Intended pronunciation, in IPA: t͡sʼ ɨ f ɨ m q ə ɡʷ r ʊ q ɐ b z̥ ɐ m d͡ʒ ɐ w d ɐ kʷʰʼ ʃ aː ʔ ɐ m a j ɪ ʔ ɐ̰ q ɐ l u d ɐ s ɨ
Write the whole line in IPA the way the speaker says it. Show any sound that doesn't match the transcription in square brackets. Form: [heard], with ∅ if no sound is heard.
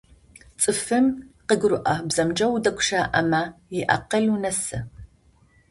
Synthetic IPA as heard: t͡sʼ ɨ f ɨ m q ə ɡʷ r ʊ [ʔ] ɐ b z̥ ɐ m d͡ʒ ɐ w d ɐ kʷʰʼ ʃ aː ʔ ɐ m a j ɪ ʔ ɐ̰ q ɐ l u [n] ɐ s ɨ